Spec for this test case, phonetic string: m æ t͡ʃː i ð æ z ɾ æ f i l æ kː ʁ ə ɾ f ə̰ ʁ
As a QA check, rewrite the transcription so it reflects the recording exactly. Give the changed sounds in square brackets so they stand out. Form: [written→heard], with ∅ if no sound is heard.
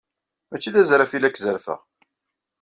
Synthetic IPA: m æ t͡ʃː i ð æ z ɾ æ f i l æ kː [ʁ→z] ə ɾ f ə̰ ʁ